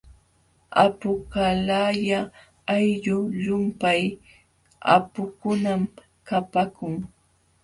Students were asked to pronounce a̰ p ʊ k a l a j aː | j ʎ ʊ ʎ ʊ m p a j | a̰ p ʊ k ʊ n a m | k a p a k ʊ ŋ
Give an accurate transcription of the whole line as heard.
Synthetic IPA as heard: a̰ p ʊ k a l a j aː | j ʎ ʊ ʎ ʊ m p a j | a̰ p ʊ k ʊ n a m | k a p a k ʊ ŋ